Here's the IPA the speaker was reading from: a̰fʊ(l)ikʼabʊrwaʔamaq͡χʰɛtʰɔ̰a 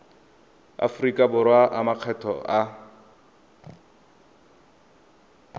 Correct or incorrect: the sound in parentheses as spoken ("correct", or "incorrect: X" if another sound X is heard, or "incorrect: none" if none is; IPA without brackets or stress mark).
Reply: incorrect: r